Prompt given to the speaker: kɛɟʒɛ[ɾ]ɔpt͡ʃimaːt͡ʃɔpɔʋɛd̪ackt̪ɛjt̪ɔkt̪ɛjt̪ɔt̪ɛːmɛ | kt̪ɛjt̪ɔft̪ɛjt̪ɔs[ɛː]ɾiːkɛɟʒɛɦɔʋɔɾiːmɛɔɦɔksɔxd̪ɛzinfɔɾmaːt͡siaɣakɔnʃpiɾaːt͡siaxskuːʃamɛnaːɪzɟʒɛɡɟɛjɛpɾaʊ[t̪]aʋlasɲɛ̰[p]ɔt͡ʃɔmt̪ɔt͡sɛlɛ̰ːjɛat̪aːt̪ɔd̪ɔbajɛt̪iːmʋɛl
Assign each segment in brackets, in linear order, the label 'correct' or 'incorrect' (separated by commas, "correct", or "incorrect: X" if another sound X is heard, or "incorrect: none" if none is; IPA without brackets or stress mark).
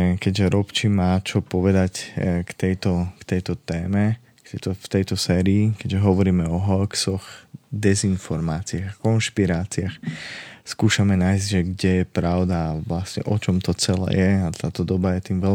correct, correct, incorrect: d̪, incorrect: ʔ